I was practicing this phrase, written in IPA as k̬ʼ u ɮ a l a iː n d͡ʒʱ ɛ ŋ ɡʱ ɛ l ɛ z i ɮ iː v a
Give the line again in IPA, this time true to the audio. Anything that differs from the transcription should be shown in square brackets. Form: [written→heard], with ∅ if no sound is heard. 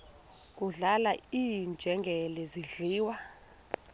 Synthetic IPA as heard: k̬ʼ u ɮ a l a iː n d͡ʒʱ ɛ ŋ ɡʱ ɛ l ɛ z i ɮ iː [v→w] a